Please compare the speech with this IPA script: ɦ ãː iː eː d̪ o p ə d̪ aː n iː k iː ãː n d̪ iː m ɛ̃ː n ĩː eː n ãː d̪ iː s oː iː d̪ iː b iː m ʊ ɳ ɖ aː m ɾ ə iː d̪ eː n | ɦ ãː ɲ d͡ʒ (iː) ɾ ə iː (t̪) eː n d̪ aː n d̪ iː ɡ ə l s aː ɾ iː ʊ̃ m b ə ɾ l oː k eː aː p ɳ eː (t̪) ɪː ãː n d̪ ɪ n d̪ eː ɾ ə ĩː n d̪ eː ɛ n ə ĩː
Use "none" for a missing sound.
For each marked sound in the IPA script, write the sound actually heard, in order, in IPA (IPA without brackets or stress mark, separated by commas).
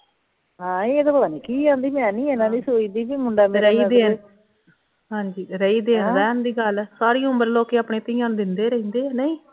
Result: iː, d̪, t̪